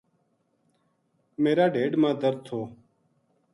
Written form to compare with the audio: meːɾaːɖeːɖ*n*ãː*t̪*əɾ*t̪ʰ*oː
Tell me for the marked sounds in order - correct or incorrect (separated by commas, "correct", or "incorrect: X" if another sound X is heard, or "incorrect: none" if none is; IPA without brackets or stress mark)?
incorrect: m, incorrect: d̪, correct